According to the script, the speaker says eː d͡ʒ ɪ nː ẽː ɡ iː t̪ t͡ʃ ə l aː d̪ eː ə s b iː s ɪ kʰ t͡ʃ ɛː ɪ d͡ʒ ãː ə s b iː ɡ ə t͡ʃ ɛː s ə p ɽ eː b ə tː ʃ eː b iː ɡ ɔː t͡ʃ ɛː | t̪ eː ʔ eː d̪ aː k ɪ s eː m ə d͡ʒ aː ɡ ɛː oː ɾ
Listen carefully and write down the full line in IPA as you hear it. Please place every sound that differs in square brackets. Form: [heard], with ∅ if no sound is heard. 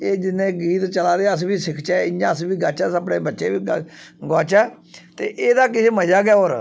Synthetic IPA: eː d͡ʒ ɪ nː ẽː ɡ iː t̪ t͡ʃ ə l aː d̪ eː ə s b iː s ɪ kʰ t͡ʃ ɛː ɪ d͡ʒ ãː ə s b iː ɡ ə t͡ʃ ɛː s ə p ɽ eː b ə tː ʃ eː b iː ɡ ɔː t͡ʃ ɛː | t̪ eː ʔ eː d̪ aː k ɪ s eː m ə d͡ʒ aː ɡ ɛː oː ɾ